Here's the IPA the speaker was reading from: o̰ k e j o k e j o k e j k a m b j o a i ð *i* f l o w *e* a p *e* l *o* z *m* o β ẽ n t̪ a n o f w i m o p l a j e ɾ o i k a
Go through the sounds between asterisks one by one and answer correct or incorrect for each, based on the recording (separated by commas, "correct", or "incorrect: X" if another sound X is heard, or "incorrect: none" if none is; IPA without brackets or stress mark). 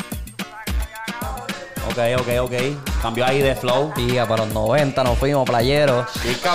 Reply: incorrect: e, incorrect: i, incorrect: a, correct, incorrect: n